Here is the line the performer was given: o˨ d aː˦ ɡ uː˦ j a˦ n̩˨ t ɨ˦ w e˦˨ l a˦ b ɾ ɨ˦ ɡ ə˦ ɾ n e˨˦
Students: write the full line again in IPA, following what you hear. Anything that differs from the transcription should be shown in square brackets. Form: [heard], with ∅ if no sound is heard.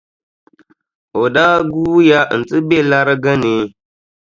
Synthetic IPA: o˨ d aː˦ ɡ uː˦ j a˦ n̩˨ t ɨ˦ [b] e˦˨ l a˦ [∅] ɾ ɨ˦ ɡ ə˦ [∅] n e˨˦